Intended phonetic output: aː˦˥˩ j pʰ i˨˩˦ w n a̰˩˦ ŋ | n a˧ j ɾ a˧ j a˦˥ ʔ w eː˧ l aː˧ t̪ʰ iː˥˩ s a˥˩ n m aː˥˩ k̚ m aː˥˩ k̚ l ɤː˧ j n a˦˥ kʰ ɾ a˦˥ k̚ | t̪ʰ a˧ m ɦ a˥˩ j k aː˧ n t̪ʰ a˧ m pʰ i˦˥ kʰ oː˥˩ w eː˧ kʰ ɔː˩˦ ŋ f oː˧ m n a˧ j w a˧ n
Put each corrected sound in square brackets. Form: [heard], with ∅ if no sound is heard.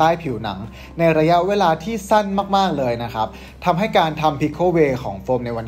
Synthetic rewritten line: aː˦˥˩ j pʰ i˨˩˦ w n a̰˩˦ ŋ | n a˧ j ɾ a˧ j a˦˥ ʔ w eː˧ l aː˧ t̪ʰ iː˥˩ s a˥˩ n m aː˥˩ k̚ m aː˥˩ k̚ l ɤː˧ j n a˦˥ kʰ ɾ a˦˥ [p̚] | t̪ʰ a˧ m ɦ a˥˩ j k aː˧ n t̪ʰ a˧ m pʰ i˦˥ kʰ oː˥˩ w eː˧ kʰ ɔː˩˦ ŋ f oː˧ m n a˧ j w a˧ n